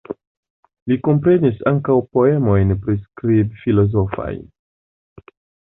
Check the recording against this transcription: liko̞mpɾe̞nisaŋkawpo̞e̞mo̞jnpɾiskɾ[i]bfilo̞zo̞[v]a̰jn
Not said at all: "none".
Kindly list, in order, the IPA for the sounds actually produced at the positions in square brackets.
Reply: i, f

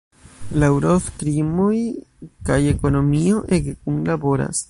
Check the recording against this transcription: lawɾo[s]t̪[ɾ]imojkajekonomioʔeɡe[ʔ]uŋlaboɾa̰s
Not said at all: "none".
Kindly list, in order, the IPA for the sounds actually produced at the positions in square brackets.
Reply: f, ɾ, k

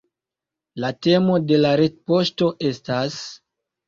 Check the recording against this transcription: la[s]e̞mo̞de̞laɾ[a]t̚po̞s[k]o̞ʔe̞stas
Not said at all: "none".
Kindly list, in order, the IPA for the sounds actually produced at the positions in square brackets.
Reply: t, e, t

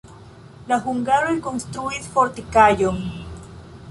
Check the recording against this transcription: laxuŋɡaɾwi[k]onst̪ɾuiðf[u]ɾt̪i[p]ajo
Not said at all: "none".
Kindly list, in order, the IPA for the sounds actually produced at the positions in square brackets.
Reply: k, o, k

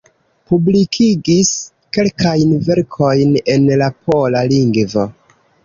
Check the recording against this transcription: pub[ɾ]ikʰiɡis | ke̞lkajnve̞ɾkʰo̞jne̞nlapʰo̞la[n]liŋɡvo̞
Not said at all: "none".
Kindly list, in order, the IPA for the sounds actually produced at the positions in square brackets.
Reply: l, none

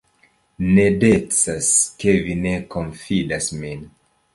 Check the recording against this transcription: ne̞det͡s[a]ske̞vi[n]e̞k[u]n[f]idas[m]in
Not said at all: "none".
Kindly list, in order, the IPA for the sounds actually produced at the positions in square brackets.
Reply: a, n, o, f, m

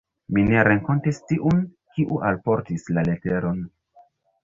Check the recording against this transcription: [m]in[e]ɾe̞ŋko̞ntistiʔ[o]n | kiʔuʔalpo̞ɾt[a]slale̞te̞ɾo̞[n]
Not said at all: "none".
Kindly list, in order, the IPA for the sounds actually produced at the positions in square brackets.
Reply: m, e, u, i, n

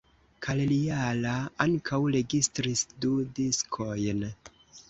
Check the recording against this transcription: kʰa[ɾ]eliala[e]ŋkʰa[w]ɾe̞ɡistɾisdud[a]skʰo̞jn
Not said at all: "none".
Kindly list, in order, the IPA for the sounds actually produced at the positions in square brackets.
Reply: l, a, w, i

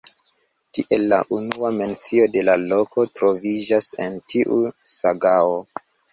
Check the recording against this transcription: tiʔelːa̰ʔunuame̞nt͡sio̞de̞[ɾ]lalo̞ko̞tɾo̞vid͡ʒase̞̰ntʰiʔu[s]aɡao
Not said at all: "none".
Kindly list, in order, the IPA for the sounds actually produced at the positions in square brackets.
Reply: none, s

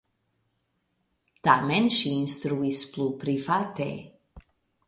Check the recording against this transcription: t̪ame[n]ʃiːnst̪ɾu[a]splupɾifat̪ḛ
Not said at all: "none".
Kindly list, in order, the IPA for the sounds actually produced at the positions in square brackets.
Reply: n, i

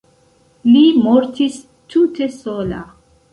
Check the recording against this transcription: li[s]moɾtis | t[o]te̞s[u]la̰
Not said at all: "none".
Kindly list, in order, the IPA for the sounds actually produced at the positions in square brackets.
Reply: none, u, o

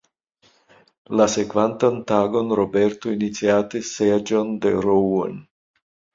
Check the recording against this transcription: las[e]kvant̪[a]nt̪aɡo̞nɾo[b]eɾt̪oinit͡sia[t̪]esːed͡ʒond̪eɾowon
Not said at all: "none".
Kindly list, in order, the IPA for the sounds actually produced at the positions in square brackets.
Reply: e, a, b, t̪

